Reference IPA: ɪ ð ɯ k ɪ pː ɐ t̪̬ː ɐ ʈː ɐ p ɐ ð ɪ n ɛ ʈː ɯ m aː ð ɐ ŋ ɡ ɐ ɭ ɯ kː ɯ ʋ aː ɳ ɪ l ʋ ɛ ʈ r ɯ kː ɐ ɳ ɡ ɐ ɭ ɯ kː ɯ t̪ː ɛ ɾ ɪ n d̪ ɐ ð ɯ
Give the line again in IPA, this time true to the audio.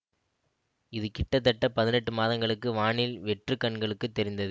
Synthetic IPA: ɪ ð ɯ k ɪ ʈː ɐ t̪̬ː ɐ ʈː ɐ p ɐ ð ɪ n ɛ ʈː ɯ m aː ð ɐ ŋ ɡ ɐ ɭ ɯ kː ɯ ʋ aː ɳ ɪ l ʋ ɛ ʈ r ɯ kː ɐ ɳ ɡ ɐ ɭ ɯ kː ɯ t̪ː ɛ ɾ ɪ n d̪ ɐ ð ɯ